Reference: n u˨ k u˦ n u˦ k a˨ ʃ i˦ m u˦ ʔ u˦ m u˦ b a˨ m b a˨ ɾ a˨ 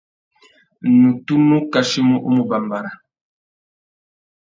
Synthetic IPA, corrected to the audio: n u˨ t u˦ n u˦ k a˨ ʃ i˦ m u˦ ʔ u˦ m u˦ b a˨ m b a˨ ɾ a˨